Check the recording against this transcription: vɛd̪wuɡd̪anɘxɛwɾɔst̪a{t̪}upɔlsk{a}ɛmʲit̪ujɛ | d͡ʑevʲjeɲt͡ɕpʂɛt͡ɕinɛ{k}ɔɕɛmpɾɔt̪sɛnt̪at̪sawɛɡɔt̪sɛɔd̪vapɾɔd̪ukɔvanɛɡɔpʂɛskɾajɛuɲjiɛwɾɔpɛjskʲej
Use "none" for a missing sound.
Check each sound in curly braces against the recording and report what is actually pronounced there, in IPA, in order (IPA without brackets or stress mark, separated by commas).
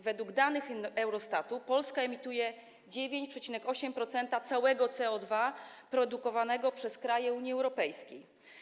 t̪, a, k